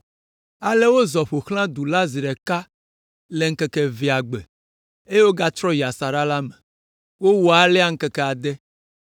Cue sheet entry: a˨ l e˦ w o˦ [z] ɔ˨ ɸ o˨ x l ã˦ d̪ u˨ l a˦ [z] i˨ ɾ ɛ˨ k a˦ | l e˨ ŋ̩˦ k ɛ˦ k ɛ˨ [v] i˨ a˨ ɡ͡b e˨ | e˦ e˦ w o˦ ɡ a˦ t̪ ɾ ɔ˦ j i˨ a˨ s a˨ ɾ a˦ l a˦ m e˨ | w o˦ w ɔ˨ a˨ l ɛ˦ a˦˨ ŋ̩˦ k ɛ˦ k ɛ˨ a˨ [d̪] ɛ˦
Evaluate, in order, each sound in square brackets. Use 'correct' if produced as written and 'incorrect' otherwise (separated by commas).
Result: correct, correct, correct, correct